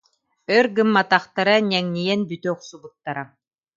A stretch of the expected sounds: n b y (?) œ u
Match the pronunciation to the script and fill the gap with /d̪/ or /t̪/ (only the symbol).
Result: t̪